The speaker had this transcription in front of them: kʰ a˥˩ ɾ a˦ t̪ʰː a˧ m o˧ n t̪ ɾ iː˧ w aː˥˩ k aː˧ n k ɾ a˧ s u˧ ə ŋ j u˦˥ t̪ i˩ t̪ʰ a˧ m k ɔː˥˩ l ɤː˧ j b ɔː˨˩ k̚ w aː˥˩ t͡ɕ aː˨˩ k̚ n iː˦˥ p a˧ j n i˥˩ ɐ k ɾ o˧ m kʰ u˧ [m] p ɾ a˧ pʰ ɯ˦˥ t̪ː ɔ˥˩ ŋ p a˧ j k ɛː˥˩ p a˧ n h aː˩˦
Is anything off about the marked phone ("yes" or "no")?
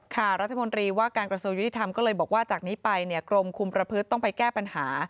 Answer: no